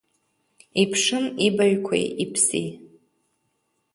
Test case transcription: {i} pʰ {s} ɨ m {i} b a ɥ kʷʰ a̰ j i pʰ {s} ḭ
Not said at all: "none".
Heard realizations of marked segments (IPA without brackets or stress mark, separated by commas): i, ʂ, i, s